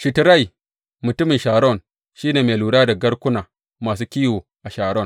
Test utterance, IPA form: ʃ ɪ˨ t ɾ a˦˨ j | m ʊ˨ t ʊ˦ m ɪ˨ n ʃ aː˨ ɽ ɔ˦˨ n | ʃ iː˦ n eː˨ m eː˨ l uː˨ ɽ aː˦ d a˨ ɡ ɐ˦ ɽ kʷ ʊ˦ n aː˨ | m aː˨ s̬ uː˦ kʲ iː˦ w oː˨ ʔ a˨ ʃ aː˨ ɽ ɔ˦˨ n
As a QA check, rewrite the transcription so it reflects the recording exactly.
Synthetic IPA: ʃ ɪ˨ t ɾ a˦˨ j | m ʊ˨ t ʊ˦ m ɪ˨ n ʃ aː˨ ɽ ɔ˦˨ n | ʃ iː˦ n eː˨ m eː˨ l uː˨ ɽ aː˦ d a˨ ɡ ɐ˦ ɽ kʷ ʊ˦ n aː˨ | m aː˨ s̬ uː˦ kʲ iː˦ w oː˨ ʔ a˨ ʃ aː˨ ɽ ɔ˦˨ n